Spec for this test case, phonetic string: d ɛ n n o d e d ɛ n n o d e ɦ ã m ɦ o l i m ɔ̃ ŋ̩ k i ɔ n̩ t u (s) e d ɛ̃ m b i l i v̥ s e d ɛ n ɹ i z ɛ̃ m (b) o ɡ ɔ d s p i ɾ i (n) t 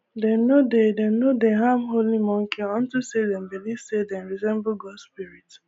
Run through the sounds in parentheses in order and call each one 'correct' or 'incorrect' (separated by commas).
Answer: correct, correct, incorrect